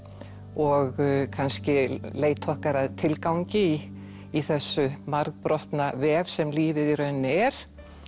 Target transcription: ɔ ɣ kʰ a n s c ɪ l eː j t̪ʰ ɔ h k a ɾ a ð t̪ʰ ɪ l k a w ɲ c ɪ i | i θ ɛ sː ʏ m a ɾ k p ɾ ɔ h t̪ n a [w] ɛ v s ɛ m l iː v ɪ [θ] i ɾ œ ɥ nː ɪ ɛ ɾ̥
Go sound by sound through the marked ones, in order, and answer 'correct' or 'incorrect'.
incorrect: v, incorrect: ð

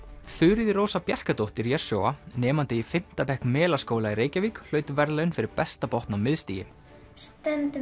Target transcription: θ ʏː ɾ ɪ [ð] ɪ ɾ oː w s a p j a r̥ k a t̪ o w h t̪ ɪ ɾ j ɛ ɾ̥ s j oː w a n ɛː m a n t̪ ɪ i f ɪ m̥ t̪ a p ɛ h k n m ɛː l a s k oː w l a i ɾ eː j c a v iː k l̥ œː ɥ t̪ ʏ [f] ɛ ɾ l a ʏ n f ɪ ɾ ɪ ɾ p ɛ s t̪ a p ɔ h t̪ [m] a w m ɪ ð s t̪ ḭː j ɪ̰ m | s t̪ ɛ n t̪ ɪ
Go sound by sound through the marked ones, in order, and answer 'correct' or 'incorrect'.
correct, incorrect: v, incorrect: n

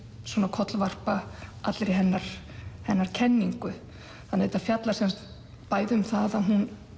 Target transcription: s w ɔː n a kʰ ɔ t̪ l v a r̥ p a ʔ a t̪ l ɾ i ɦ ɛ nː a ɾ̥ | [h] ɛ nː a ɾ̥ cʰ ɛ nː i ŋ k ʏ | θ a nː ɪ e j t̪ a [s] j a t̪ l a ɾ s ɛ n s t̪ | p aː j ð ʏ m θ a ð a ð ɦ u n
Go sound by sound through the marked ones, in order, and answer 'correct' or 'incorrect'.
correct, incorrect: f

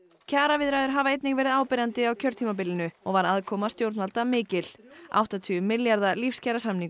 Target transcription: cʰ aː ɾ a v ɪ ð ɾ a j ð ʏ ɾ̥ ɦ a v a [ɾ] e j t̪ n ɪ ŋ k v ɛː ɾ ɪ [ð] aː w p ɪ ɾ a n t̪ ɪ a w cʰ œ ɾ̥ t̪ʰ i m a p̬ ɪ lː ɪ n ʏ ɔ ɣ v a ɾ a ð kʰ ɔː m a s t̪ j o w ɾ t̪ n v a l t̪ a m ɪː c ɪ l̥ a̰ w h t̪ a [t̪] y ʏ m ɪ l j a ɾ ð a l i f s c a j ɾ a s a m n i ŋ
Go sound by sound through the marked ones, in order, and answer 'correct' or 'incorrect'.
incorrect: none, correct, incorrect: t̪ʰ

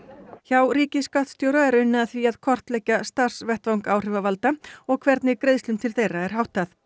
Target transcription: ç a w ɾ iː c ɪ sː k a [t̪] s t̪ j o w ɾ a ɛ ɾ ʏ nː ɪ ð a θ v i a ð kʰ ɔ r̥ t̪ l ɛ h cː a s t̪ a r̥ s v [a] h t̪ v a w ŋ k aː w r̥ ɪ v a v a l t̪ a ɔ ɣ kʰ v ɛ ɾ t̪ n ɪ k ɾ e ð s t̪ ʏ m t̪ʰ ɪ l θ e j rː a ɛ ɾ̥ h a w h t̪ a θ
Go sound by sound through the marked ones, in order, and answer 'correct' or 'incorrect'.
correct, incorrect: ɛ

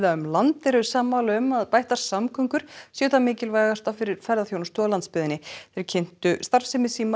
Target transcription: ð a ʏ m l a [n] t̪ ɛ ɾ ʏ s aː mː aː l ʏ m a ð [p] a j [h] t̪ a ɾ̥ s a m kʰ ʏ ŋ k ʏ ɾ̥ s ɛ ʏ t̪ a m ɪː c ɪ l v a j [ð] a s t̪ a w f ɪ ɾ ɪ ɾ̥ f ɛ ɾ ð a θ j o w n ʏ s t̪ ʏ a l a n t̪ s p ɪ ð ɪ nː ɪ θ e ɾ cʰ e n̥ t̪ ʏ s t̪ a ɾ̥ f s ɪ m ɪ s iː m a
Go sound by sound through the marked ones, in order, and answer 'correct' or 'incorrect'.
correct, correct, correct, incorrect: ɣ

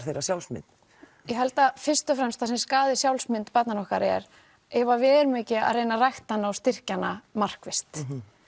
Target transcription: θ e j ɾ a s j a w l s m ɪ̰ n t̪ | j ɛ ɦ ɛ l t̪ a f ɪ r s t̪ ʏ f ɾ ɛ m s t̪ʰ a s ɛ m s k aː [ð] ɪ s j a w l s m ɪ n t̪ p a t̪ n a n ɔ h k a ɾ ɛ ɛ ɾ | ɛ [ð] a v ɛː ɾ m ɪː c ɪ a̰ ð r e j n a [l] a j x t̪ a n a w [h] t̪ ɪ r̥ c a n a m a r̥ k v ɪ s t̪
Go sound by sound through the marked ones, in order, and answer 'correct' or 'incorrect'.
correct, incorrect: v, incorrect: r, incorrect: s

